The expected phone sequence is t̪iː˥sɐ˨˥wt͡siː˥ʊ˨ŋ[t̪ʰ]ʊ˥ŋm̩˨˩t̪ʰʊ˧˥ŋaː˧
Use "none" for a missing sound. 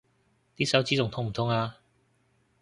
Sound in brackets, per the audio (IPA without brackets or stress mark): t̪ʰ